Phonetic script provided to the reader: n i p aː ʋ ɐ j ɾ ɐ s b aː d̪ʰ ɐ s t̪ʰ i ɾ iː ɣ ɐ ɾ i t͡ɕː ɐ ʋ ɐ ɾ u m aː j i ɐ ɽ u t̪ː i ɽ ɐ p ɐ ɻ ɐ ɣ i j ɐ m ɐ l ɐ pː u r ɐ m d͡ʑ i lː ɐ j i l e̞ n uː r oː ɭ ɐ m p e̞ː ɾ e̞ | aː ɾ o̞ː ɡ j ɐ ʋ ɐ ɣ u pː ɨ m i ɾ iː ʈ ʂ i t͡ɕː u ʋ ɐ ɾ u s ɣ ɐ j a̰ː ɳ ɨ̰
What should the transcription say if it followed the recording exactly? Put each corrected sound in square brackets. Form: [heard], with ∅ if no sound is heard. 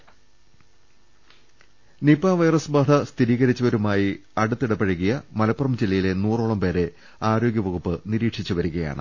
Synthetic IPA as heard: n i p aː ʋ ɐ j [r] ɐ s b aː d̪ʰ ɐ s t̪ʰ i ɾ iː ɣ ɐ ɾ i t͡ɕː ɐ ʋ ɐ ɾ u m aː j i ɐ ɽ u t̪ː i ɽ ɐ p ɐ ɻ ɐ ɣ i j ɐ m ɐ l ɐ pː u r ɐ m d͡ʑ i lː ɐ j i l e̞ n uː r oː ɭ ɐ m p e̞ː ɾ e̞ | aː ɾ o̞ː ɡ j ɐ ʋ ɐ ɣ u pː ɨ [n] i ɾ iː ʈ ʂ i t͡ɕː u ʋ ɐ ɾ u [∅] ɣ ɐ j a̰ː ɳ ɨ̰